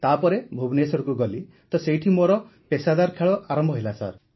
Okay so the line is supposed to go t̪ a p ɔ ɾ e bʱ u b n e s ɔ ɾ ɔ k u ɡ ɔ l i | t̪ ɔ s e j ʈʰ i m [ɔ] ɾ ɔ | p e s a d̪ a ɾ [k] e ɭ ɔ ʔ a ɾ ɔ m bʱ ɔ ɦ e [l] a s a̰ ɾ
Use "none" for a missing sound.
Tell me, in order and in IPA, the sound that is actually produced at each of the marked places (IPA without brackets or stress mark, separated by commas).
o, kʰ, l